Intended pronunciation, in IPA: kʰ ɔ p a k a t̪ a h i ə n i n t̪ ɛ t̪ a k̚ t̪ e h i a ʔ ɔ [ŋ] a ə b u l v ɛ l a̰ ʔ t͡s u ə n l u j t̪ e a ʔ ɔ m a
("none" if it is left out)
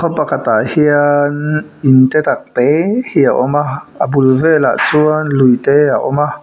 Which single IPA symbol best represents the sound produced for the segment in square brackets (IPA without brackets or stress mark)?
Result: m